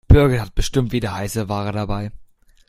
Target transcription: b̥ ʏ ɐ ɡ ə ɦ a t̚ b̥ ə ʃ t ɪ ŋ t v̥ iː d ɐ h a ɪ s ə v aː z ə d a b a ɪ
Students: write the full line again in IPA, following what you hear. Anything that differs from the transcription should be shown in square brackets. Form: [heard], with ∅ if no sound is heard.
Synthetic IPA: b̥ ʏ ɐ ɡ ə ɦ a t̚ b̥ ə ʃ t ɪ [m] t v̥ iː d ɐ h a ɪ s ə v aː [ʁ] ə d a b a ɪ